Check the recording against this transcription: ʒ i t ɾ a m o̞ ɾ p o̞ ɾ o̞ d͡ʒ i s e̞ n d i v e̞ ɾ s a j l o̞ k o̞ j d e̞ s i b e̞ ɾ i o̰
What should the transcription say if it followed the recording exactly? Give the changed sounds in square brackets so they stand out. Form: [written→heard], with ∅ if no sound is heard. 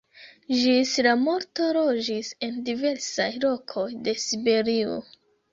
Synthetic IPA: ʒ i [t→s] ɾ a m o̞ ɾ [p→t] o̞ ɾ o̞ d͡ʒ i s e̞ n d i v e̞ ɾ s a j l o̞ [k→kʰ] o̞ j d e̞ s i b e̞ ɾ i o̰